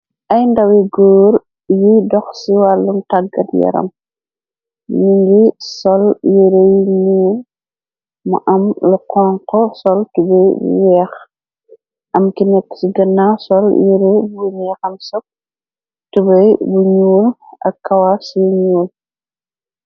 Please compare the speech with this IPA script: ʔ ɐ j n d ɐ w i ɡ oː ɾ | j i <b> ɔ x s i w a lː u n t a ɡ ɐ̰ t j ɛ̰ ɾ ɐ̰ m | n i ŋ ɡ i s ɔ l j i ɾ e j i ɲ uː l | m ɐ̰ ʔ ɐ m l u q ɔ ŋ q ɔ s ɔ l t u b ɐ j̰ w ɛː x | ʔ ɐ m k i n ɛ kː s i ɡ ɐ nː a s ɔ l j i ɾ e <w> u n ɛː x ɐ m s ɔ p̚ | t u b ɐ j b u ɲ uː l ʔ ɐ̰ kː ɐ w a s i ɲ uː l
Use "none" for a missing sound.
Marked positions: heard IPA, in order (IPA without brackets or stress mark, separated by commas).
d, b